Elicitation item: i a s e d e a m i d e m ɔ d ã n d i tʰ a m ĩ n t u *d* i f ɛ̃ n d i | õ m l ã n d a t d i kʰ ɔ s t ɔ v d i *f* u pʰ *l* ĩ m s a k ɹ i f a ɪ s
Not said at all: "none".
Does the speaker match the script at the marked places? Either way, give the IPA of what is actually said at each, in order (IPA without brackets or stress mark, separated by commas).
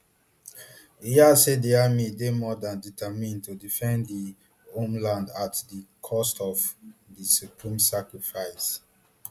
d, s, ɹ